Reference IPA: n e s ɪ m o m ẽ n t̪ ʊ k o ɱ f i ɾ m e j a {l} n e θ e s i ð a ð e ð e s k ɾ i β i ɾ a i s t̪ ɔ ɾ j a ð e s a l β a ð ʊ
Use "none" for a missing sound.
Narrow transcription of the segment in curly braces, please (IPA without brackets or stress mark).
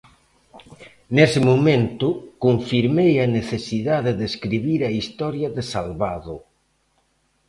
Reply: none